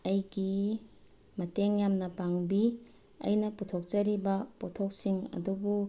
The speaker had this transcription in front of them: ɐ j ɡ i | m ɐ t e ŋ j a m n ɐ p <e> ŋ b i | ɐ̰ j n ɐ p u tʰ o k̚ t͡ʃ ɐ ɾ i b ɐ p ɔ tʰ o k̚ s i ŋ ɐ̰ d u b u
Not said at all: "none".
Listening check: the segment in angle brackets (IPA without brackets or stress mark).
a